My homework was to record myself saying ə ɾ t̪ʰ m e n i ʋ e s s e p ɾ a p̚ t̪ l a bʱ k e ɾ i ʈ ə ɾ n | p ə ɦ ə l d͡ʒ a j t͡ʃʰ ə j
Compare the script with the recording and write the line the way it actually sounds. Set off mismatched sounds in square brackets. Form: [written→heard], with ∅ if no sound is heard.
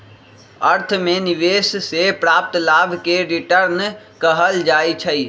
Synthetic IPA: ə ɾ t̪ʰ m e n i ʋ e s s e p ɾ a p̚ t̪ l a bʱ k e ɾ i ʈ ə ɾ n | [p→k] ə ɦ ə l d͡ʒ a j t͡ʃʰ ə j